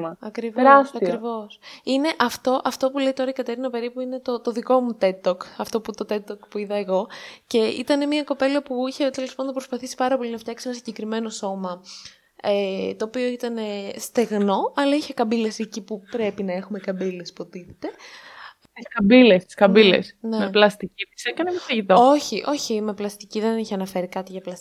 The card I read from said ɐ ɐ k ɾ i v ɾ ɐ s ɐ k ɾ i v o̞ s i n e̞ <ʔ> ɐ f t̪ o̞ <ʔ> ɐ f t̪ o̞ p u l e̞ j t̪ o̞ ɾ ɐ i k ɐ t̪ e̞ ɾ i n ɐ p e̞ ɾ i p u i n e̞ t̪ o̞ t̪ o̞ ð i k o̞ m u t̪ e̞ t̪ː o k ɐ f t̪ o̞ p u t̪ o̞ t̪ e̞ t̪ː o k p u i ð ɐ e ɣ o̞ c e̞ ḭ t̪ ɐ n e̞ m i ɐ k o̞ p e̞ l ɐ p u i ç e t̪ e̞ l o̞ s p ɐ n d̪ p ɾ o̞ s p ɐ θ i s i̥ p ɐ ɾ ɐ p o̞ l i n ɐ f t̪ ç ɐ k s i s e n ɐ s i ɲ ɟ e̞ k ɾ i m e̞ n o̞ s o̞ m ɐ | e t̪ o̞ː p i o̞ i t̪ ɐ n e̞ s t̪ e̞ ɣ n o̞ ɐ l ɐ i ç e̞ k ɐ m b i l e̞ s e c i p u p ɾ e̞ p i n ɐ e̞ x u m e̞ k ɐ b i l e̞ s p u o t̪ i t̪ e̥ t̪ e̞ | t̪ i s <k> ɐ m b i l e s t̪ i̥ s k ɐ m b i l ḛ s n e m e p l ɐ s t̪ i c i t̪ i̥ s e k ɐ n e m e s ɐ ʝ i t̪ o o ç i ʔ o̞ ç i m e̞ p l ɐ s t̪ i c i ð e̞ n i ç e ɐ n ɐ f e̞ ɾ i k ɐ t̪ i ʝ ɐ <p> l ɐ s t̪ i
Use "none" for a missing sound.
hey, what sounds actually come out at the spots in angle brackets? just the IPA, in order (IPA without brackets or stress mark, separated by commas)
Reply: ʔ, ʔ, k, p